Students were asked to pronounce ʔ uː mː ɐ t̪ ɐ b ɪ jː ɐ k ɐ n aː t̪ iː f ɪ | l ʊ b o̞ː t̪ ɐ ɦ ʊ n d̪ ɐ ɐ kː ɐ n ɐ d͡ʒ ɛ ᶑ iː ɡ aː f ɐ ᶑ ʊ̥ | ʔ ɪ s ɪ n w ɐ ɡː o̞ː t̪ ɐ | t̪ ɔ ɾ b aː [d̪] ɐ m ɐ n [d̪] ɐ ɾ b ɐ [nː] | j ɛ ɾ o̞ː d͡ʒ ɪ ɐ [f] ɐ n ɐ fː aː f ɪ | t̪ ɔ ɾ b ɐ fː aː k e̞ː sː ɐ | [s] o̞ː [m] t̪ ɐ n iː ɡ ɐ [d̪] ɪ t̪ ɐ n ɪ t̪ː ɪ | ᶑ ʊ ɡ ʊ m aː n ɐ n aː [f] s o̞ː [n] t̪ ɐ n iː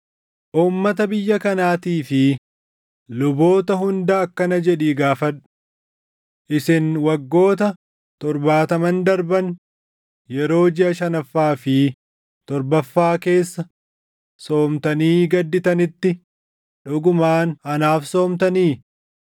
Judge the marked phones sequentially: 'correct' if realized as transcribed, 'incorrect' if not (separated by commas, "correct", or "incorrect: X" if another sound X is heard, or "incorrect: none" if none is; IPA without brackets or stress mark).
incorrect: t̪, correct, incorrect: n, incorrect: ʃ, correct, correct, incorrect: d̪ː, correct, incorrect: m